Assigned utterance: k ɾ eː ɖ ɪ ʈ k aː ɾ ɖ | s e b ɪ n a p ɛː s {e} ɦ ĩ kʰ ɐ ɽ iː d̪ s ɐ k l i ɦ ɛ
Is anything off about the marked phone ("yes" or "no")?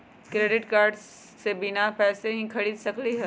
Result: no